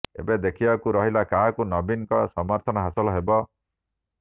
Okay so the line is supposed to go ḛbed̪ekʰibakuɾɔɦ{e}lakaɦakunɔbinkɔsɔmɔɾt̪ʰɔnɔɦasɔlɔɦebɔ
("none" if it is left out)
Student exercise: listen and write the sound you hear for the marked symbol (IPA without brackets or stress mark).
i